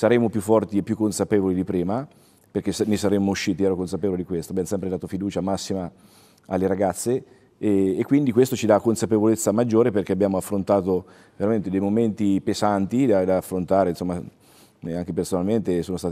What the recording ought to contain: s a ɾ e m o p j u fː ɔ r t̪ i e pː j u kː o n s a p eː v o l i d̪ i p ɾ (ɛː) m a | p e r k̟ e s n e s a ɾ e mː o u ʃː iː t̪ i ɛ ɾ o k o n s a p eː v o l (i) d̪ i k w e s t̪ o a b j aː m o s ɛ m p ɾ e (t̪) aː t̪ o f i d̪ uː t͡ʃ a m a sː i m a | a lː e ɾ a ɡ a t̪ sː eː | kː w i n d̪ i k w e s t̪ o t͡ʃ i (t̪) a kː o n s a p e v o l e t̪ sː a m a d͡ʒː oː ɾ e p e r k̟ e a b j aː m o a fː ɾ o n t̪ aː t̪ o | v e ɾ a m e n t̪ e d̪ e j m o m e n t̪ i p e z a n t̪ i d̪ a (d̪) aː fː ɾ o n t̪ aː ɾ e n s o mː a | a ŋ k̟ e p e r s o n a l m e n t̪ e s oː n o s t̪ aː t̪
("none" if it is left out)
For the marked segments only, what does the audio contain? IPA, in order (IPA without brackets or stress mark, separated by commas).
iː, i, d̪, d̪, d̪